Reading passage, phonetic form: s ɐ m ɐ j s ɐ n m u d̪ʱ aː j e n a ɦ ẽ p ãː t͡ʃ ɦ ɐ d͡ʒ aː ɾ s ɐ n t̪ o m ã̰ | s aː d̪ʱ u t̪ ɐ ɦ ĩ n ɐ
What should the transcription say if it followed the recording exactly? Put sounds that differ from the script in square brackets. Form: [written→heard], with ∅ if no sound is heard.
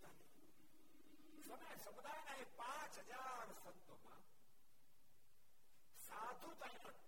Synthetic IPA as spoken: s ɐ m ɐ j s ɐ [n→∅] m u d̪ʱ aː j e n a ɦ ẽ p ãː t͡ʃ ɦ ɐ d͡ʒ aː ɾ s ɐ n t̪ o m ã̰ | s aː d̪ʱ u t̪ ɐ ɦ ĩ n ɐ